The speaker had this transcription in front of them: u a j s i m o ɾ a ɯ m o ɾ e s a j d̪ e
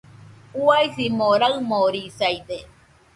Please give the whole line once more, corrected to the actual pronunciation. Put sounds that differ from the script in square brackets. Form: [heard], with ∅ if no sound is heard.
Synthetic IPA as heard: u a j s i m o ɾ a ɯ m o ɾ [i] s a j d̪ e